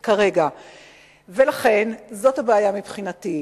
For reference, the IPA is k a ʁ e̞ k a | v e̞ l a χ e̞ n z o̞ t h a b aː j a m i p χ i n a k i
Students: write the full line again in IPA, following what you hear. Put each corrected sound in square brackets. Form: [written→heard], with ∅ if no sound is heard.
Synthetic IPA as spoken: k a ʁ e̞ [k→ɡ] a | v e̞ l a χ e̞ n z o̞ t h a b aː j a m i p χ i n a [k→t] i